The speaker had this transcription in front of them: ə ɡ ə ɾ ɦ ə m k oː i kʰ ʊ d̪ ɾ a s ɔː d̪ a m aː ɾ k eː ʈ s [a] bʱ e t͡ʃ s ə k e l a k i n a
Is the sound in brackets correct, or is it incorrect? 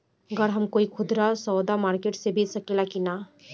incorrect